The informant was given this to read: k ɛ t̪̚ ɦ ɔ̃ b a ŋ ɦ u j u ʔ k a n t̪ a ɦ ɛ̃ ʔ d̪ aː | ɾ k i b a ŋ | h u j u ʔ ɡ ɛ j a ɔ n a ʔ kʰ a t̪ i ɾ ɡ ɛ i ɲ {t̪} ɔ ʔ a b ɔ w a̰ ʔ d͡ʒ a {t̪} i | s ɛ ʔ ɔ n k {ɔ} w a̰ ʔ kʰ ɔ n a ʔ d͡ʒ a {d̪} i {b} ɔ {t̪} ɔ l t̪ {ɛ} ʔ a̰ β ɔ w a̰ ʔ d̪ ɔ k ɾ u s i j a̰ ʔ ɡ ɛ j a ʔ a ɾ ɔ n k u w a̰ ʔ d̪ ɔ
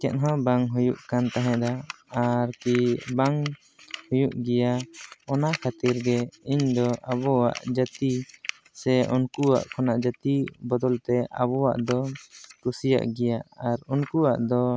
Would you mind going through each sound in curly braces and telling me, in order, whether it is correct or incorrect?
incorrect: d̪, correct, incorrect: u, incorrect: t̪, correct, incorrect: d̪, correct

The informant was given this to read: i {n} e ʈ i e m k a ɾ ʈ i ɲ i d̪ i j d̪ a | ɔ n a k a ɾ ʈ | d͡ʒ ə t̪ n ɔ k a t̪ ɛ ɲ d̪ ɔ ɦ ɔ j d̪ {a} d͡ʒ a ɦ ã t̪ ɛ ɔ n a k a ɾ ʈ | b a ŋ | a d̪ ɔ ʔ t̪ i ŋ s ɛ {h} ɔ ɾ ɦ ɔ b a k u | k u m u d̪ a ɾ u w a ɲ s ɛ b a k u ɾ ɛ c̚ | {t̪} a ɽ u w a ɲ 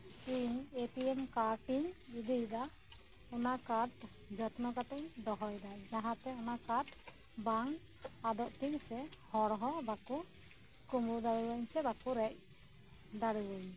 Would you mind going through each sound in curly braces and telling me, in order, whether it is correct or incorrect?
incorrect: ɲ, correct, correct, incorrect: d̪

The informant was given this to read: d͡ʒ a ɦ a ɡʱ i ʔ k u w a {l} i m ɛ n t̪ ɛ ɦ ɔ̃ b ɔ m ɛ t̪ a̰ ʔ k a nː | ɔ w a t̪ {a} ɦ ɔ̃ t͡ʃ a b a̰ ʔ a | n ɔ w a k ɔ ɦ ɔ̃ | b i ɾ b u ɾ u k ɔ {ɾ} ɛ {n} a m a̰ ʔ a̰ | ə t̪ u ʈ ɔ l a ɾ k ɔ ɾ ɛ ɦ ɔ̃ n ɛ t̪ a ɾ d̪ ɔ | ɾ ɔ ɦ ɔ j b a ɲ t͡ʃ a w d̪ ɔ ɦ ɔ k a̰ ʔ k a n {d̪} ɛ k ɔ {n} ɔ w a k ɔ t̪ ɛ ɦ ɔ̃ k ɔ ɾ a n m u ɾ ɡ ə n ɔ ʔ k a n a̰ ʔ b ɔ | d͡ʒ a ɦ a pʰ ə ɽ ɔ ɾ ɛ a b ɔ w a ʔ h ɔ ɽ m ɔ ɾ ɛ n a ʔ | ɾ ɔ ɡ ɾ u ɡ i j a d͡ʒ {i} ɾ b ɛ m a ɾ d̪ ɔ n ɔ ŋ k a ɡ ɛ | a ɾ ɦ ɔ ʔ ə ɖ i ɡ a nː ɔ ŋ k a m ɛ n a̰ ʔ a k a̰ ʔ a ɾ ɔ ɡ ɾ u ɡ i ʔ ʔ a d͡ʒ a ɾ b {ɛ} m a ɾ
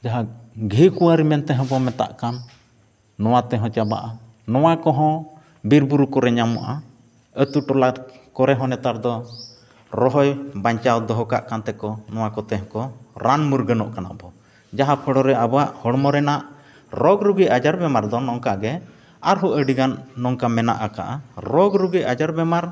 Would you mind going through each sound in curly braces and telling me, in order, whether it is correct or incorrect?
incorrect: ɾ, incorrect: ɛ, correct, incorrect: ɲ, incorrect: t̪, correct, incorrect: a, correct

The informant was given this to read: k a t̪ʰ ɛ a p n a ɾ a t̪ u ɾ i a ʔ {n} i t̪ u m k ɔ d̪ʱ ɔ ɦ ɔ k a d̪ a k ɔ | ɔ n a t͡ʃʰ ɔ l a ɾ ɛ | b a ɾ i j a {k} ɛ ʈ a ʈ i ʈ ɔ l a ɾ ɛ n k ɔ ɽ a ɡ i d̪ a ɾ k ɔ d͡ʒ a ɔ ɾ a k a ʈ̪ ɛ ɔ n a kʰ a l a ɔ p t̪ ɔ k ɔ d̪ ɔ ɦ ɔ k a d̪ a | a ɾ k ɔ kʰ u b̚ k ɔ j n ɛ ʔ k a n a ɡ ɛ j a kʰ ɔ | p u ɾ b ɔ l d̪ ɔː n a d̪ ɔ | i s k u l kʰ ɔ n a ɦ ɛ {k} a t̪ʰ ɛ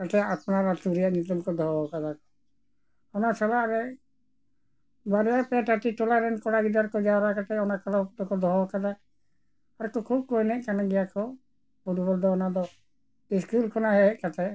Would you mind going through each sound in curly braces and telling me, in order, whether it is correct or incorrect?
correct, incorrect: p, correct

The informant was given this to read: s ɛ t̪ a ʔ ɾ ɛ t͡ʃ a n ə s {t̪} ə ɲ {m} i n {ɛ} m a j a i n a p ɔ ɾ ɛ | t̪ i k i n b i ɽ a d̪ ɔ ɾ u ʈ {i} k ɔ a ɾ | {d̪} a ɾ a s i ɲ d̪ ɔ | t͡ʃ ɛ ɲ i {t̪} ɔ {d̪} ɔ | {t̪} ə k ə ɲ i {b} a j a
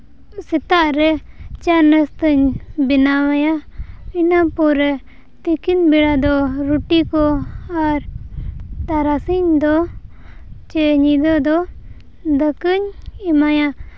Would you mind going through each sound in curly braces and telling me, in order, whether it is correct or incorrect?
correct, incorrect: b, incorrect: a, correct, incorrect: t̪, incorrect: d̪, correct, incorrect: d̪, incorrect: m

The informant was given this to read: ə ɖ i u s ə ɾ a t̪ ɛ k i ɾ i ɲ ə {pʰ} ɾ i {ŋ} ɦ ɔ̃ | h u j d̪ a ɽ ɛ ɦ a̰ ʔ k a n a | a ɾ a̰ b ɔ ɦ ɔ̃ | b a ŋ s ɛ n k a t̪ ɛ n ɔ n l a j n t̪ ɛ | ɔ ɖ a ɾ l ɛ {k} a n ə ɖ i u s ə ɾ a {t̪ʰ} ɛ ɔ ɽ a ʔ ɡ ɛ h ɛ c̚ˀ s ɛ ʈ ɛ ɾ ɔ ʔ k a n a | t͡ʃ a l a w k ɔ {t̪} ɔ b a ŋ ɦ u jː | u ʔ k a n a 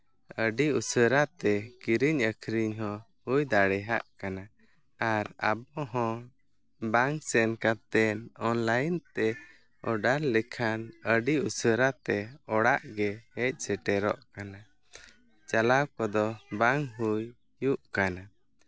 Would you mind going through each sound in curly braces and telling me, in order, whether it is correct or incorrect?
incorrect: kʰ, incorrect: ɲ, incorrect: kʰ, incorrect: t̪, incorrect: d̪

